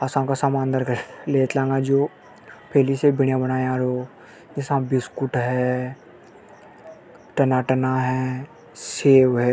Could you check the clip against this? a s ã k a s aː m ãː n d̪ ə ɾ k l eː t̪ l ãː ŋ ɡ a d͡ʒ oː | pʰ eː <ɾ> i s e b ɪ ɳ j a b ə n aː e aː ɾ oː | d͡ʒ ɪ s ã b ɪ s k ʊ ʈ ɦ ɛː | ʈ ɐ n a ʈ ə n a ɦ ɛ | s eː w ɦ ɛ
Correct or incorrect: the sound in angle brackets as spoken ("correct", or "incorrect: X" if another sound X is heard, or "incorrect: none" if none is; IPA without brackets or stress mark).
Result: incorrect: l